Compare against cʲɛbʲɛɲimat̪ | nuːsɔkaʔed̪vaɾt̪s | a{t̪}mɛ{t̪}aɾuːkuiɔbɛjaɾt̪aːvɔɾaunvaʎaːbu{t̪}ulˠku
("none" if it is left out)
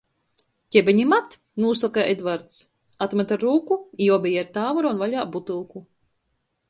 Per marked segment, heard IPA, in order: t̪, t̪, t̪

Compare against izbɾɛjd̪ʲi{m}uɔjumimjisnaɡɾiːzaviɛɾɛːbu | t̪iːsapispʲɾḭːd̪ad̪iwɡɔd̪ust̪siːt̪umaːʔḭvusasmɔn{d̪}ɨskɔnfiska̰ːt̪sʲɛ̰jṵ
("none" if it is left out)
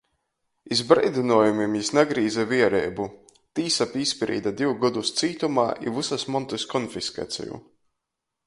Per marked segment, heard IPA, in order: n, t̪

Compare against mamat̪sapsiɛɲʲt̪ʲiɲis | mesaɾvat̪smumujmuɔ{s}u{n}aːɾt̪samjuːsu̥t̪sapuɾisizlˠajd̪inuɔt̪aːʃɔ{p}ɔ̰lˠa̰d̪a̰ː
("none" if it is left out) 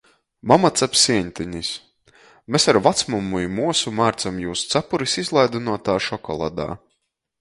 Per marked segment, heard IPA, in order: s, m, k

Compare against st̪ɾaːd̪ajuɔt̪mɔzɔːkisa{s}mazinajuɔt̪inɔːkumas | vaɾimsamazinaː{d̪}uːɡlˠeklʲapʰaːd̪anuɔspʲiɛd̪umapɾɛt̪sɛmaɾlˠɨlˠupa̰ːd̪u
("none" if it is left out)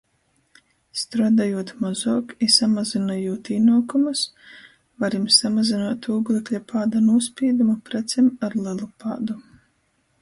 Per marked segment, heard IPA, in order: none, t̪

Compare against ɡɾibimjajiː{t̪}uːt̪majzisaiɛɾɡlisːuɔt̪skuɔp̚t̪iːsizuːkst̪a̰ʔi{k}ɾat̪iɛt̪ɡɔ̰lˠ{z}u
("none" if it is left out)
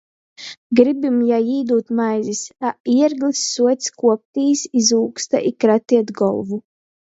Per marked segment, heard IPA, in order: d̪, k, v

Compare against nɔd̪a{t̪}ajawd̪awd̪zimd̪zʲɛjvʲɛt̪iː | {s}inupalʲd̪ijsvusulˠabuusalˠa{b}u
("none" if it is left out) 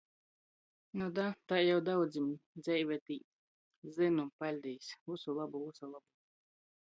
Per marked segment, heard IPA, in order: t̪, z, b

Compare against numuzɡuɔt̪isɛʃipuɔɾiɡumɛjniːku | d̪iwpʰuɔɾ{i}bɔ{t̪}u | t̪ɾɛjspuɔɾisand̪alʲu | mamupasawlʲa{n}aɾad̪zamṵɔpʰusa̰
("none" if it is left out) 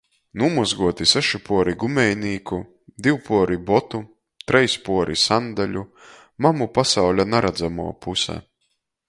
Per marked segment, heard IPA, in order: i, t̪, n

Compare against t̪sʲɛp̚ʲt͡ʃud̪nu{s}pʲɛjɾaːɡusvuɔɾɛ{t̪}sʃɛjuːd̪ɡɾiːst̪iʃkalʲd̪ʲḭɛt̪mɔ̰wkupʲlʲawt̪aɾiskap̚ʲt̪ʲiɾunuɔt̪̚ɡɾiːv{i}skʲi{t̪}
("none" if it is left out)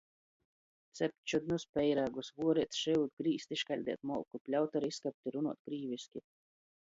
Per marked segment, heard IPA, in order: s, t̪, i, none

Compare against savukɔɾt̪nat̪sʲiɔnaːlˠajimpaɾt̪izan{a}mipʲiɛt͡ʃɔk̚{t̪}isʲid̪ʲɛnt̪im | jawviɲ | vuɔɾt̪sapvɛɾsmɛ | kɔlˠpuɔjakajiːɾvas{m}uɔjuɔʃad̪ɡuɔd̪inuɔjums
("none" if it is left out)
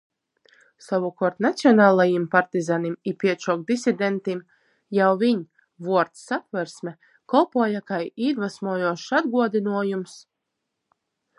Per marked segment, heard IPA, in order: i, d̪, m

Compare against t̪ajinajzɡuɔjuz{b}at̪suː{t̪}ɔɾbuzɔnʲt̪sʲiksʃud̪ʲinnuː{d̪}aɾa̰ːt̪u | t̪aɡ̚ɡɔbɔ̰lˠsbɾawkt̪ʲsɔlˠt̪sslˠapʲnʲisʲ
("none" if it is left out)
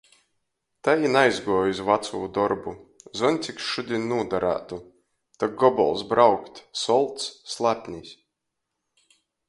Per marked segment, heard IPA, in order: v, d̪, d̪

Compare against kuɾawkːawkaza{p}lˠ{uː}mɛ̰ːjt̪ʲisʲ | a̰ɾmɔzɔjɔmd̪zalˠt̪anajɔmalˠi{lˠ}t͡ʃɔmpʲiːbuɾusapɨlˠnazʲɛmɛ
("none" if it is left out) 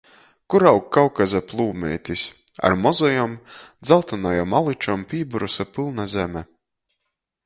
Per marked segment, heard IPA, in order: p, uː, none

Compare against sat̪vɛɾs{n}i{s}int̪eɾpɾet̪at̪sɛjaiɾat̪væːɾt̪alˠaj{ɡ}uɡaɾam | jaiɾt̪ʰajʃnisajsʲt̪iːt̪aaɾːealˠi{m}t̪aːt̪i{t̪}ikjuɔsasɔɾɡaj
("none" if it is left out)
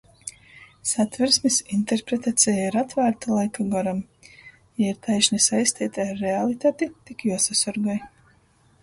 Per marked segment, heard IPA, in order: m, s, k, none, t̪

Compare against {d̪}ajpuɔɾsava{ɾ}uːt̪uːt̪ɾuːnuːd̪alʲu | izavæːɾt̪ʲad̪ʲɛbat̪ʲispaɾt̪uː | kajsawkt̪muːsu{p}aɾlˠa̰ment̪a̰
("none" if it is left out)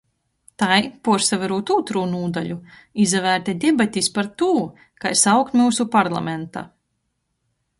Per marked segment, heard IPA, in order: t̪, ɾ, p

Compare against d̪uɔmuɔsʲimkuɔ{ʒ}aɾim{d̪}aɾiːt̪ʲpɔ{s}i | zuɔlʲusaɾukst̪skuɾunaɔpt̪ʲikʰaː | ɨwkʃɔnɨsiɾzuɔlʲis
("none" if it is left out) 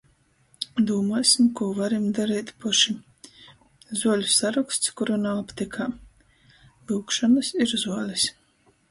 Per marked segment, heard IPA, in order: v, d̪, ʃ

